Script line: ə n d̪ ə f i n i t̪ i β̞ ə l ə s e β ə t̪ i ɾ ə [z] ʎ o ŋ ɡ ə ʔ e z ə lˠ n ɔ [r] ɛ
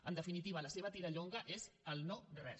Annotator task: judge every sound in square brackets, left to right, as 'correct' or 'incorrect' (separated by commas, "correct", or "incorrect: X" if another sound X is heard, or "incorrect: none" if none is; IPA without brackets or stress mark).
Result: incorrect: none, correct